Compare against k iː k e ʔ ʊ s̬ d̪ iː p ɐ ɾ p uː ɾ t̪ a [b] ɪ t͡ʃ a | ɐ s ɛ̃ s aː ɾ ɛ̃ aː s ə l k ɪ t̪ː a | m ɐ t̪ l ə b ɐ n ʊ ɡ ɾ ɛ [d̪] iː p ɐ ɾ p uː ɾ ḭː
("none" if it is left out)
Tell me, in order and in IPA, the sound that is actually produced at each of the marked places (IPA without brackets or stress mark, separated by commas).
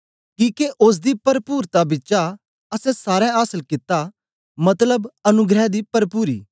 b, d̪